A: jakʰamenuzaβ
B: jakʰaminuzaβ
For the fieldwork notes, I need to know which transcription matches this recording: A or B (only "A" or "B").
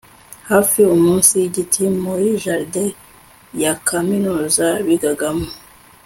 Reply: B